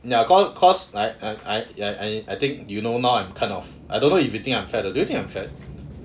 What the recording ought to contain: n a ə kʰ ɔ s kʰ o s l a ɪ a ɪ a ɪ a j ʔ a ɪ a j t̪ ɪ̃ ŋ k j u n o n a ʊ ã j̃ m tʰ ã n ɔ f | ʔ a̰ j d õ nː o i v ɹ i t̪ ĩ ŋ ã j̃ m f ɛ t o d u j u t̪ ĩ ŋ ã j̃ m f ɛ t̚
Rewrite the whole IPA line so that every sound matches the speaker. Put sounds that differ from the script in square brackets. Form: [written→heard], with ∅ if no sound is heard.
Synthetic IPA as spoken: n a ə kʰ ɔ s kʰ [o→ɔ] s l a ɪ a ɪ a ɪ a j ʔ a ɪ a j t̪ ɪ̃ ŋ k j u n o n a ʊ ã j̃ m [tʰ→kʰ] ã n ɔ f | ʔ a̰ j d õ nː o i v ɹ i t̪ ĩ ŋ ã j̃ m f ɛ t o d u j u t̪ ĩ ŋ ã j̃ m f ɛ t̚